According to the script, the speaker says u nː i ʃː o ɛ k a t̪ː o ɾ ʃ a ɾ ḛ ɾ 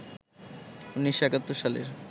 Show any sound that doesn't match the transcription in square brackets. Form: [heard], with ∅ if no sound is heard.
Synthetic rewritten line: u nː i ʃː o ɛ k a t̪ː o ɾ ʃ a [l] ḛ ɾ